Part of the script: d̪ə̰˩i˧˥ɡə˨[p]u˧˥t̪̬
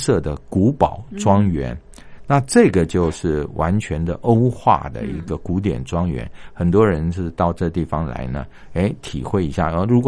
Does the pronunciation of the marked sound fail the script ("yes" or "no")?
yes